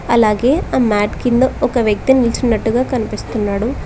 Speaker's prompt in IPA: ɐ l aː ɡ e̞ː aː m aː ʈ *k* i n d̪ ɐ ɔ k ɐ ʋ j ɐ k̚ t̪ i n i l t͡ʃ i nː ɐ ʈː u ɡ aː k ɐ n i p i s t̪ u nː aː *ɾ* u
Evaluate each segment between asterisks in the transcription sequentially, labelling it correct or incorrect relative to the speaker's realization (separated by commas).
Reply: correct, incorrect